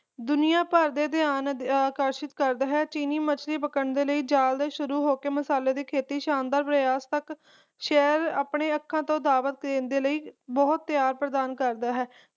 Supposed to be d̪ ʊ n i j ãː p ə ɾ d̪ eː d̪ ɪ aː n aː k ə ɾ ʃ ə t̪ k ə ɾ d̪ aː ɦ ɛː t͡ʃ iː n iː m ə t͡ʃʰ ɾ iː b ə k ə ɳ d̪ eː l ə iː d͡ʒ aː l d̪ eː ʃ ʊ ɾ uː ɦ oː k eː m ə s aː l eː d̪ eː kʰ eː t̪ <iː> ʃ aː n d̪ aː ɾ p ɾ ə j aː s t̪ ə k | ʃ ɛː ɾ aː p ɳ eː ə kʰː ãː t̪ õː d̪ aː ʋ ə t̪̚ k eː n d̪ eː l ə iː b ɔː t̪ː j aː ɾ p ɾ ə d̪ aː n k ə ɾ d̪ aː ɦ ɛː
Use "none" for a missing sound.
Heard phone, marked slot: iː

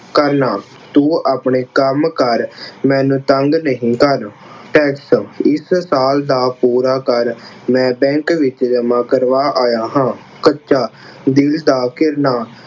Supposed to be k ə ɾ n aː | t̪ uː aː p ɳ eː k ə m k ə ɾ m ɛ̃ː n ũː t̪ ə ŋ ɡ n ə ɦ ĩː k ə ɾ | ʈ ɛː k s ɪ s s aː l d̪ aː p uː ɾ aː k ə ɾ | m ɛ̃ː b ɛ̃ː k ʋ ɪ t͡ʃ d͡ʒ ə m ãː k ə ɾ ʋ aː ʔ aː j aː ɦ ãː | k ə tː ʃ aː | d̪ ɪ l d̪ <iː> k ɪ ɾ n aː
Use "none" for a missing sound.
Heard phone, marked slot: aː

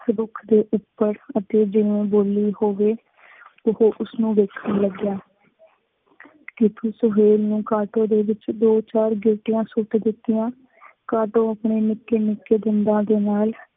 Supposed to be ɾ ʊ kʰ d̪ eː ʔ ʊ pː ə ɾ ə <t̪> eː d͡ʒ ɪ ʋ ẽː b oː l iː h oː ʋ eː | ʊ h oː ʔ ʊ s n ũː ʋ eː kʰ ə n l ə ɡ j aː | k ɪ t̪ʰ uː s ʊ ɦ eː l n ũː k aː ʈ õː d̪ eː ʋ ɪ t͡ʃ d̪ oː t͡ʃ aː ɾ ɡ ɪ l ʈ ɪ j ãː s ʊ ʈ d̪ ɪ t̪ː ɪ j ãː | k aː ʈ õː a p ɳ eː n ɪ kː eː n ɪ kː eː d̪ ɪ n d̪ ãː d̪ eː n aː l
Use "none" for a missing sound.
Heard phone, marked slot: t̪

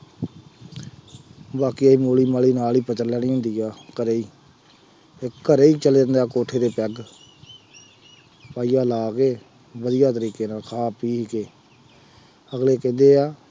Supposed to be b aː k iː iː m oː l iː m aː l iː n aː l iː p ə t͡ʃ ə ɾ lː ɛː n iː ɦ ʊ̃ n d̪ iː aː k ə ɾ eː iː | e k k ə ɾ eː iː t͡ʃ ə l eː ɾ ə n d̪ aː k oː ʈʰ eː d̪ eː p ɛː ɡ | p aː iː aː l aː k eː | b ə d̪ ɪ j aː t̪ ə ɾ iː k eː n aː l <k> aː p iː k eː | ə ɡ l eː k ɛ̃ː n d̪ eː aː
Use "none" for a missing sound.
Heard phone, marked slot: kʰ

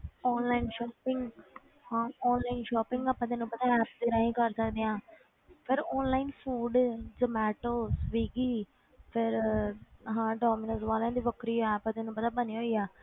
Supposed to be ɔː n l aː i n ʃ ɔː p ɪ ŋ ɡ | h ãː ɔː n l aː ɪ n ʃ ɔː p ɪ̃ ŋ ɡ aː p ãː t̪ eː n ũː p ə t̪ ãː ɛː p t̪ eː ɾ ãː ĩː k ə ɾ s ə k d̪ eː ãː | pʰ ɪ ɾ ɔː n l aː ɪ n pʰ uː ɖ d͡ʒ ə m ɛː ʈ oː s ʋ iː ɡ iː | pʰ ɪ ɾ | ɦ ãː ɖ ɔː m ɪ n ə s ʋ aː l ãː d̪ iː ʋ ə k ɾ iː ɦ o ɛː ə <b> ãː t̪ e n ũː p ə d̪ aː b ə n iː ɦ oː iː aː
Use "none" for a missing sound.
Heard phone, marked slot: p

